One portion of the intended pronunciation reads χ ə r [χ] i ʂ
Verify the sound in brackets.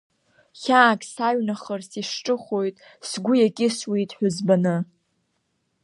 incorrect: s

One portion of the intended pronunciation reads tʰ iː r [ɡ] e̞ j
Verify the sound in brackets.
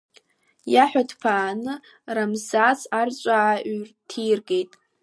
correct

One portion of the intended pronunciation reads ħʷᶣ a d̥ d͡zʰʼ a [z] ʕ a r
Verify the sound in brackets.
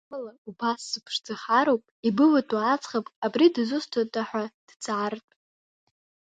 incorrect: none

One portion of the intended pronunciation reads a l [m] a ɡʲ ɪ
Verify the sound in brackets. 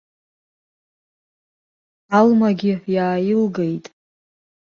correct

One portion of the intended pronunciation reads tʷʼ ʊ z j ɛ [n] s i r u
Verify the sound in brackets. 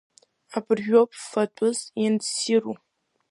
correct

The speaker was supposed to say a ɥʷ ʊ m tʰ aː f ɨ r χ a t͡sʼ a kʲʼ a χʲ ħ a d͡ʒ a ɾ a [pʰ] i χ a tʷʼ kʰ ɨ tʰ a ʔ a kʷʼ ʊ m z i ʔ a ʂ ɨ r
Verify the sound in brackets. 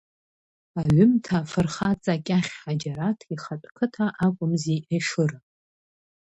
incorrect: tʰ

